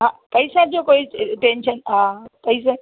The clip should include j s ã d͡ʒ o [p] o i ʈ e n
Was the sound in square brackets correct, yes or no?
no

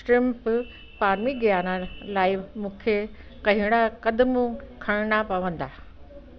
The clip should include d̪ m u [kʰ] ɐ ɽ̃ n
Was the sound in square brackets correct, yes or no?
yes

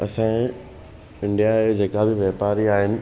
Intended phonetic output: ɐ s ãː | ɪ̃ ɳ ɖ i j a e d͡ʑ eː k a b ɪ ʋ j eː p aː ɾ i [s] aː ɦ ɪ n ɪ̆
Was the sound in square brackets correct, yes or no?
no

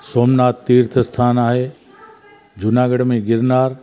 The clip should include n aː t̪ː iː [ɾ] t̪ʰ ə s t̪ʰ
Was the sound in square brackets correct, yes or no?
yes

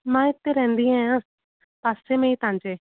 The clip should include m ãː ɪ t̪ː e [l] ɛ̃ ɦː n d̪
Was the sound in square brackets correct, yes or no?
no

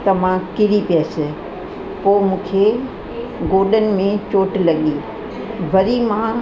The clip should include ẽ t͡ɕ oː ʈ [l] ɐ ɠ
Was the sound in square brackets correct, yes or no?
yes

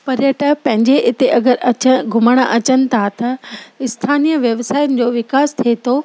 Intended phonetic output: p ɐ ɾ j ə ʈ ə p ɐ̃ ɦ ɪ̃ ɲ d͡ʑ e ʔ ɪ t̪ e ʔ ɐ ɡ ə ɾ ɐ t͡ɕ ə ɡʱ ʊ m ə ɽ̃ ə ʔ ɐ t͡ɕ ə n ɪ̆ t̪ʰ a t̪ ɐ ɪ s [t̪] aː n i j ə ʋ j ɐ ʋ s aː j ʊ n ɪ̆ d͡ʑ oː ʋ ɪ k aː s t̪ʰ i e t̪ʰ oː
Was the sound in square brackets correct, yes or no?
no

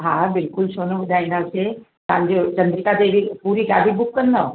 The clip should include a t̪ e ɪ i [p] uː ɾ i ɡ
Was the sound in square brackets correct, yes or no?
yes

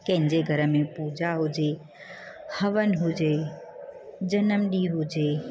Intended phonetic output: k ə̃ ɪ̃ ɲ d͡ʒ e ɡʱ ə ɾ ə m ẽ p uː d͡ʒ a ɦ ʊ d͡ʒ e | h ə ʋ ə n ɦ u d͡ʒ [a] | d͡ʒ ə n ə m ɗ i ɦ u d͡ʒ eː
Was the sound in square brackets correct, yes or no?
no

